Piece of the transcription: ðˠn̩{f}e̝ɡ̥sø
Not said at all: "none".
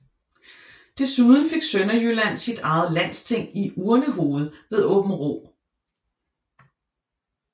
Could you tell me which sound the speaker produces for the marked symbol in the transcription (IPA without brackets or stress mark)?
f